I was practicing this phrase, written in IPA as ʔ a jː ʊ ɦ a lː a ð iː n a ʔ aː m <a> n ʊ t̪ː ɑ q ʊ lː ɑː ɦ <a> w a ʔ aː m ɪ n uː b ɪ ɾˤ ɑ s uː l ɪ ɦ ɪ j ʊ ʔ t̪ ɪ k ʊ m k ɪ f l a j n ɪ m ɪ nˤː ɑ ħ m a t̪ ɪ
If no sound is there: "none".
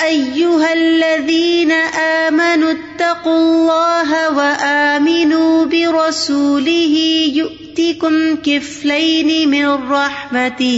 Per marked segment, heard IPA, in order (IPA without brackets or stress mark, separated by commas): a, a